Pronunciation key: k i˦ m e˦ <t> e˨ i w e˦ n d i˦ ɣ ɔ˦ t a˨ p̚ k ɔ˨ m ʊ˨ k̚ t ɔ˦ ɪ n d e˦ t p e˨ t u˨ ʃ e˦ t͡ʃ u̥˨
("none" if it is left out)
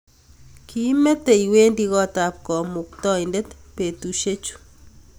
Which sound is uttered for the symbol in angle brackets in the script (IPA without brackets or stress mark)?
t